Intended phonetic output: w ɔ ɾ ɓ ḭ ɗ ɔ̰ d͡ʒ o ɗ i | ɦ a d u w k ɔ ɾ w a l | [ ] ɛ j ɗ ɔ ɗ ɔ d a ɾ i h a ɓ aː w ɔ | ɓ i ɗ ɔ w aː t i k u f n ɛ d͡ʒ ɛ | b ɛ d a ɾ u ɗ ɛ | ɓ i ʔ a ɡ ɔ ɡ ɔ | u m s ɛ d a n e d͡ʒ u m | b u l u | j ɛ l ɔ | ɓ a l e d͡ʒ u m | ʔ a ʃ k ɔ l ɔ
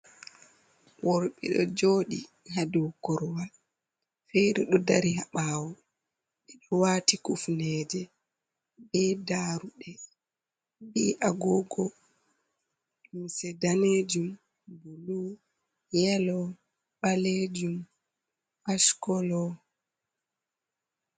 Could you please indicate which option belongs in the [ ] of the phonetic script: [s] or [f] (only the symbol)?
f